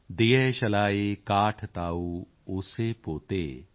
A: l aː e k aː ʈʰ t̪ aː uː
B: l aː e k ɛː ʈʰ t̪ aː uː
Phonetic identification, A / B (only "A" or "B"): A